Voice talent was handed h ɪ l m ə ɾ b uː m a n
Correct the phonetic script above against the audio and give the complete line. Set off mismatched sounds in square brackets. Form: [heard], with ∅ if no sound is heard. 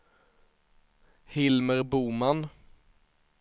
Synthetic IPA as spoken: h ɪ l m ə ɾ b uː m a n